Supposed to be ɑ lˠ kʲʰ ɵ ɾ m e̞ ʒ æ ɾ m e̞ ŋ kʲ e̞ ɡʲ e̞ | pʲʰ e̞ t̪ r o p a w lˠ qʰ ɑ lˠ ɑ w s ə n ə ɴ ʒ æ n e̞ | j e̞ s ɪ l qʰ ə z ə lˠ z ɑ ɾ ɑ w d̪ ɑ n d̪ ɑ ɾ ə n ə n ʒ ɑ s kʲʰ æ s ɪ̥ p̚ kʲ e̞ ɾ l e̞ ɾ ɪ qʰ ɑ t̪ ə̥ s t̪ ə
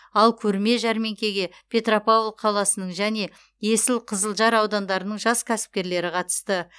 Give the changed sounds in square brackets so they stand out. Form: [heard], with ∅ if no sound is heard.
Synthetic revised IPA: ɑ lˠ kʲʰ ɵ ɾ m e̞ ʒ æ ɾ m e̞ ŋ kʲ e̞ ɡʲ e̞ | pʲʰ e̞ t̪ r o p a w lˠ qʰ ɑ lˠ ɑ [∅] s ə n ə ɴ ʒ æ n e̞ | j e̞ s ɪ l qʰ ə z ə lˠ [ʒ] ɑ ɾ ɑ w d̪ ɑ n d̪ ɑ ɾ ə n ə [ɴ] ʒ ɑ s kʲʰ æ s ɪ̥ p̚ kʲ e̞ ɾ l e̞ ɾ ɪ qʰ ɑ t̪ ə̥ s t̪ ə